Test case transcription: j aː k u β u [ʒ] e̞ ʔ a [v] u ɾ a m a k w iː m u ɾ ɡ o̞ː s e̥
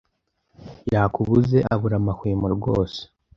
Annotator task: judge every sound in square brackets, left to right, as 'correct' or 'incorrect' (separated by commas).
incorrect, incorrect